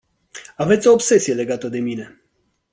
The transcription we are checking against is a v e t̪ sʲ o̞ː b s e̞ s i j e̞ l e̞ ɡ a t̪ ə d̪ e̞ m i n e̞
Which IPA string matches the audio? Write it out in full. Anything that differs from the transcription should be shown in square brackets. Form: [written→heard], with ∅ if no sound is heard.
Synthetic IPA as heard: a v e t̪ sʲ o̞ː b s e̞ s i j e̞ l e̞ ɡ a t̪ ə d̪ e̞ m i n e̞